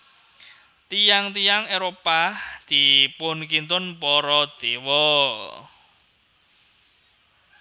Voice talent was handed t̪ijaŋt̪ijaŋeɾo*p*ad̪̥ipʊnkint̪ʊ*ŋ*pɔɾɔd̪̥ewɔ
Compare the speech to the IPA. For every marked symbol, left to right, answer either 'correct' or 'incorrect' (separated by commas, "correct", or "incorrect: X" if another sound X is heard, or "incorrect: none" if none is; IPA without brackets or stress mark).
correct, incorrect: n